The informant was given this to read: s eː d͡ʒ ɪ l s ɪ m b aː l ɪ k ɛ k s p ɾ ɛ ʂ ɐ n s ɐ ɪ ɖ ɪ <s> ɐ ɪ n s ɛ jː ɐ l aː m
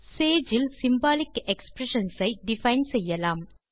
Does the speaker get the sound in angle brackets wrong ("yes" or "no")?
yes